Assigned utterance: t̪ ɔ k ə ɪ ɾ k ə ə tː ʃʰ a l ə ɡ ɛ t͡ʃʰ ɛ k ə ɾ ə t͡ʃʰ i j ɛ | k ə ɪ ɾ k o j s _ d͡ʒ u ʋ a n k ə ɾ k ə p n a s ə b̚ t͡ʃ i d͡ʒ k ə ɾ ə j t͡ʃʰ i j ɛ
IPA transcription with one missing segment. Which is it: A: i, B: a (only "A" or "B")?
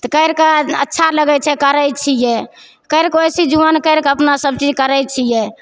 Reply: A